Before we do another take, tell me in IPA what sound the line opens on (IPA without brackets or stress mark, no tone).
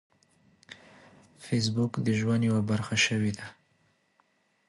f